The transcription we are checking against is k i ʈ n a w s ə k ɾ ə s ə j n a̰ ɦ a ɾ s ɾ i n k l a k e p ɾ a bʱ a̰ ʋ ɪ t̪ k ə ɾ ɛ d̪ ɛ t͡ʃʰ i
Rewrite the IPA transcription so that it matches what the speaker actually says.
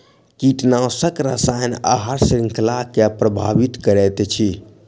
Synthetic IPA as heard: k i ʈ n a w s ə k ɾ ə s a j n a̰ ɦ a ɾ s ɾ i ŋ k l a k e p ɾ ə bʱ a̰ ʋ i t̪ k ə ɾ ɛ t̪ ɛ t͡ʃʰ i